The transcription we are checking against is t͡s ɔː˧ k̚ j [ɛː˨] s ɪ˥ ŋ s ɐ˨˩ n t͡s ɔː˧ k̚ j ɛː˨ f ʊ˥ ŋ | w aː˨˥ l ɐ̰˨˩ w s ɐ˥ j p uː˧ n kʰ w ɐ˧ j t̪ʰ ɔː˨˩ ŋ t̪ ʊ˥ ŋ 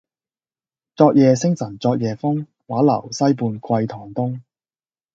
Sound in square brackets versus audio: correct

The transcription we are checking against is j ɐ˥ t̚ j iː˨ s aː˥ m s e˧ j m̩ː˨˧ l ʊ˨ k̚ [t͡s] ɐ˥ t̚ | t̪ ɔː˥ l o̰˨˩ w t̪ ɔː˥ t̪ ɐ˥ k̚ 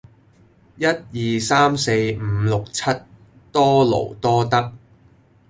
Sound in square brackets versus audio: incorrect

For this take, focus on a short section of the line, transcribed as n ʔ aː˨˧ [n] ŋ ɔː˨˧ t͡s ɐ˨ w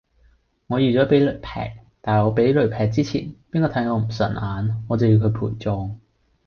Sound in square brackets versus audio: correct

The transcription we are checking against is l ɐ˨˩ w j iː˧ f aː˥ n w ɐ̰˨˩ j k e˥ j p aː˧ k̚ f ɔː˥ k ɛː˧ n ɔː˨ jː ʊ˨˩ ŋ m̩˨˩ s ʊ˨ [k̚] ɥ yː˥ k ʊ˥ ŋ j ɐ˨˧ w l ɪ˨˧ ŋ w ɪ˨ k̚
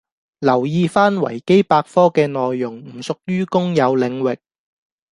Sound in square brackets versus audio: correct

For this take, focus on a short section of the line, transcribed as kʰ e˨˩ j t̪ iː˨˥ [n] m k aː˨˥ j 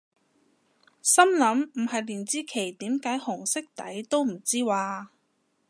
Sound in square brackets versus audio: incorrect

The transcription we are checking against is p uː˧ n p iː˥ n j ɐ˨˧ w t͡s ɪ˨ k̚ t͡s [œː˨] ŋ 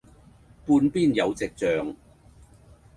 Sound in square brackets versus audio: correct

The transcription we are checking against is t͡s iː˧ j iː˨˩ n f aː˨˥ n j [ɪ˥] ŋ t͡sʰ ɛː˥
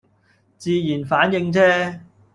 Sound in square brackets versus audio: incorrect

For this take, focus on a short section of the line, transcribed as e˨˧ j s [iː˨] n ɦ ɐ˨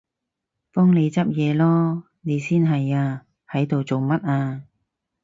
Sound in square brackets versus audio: incorrect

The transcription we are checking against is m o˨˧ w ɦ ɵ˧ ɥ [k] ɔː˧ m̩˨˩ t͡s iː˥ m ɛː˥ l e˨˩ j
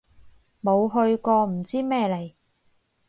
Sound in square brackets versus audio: correct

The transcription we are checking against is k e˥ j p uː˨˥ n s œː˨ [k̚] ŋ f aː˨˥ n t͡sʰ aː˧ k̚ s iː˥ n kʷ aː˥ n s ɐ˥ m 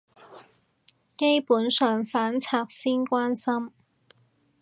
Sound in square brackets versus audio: incorrect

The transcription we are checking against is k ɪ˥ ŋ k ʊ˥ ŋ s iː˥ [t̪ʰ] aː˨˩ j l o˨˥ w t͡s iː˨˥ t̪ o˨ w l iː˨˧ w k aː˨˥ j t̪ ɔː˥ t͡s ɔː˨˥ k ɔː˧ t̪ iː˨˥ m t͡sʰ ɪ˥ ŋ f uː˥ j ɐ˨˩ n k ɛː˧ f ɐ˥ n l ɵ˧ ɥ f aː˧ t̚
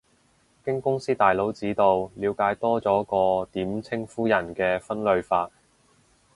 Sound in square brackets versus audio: incorrect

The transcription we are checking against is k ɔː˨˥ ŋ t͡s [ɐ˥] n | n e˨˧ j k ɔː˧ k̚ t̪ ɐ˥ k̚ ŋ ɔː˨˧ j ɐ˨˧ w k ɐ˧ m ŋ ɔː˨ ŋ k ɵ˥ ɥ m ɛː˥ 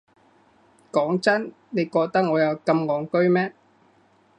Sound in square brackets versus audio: correct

